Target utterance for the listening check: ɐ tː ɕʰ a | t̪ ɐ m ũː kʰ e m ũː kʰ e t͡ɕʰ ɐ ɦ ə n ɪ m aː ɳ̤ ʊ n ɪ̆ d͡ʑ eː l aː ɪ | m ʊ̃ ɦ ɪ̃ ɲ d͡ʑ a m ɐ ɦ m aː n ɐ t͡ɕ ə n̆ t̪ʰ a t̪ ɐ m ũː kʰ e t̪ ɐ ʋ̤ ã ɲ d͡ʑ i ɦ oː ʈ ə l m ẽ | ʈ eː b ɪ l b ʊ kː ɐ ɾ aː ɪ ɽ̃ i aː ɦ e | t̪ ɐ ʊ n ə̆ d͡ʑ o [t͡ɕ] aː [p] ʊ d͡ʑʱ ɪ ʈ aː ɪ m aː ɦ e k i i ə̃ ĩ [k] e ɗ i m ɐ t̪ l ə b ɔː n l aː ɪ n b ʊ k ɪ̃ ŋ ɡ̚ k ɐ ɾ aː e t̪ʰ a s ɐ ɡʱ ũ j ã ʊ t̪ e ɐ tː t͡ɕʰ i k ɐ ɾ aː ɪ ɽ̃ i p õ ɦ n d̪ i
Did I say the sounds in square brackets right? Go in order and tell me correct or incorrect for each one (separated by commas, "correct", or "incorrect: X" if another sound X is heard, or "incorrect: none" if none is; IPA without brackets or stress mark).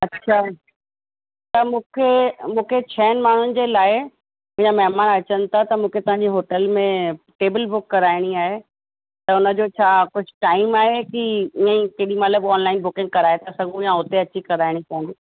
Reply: incorrect: t͡ɕʰ, incorrect: k, correct